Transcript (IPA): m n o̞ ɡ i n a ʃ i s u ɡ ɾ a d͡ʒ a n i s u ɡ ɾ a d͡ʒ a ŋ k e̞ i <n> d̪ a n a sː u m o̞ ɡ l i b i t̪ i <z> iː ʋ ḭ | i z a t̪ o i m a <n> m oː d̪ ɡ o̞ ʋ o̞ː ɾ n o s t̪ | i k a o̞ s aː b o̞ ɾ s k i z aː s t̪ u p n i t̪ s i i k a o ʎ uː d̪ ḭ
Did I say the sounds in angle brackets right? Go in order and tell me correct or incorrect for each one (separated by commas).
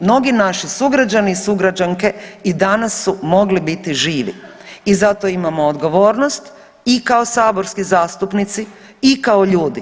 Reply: incorrect, incorrect, incorrect